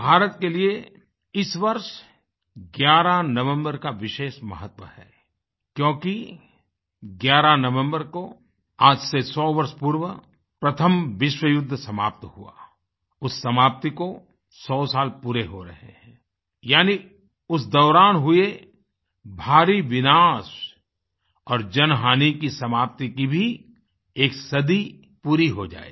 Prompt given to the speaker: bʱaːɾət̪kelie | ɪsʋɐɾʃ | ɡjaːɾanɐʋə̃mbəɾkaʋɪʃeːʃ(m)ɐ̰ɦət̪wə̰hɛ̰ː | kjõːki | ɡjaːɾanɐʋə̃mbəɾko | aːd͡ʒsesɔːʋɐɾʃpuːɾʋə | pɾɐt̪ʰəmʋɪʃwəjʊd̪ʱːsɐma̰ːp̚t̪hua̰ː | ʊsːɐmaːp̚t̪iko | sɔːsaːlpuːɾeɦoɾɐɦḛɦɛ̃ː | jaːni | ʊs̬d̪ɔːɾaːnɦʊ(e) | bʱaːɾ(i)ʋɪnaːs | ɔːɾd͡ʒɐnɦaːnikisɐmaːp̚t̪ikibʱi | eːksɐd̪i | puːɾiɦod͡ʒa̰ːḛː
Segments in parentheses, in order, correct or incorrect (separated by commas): correct, correct, correct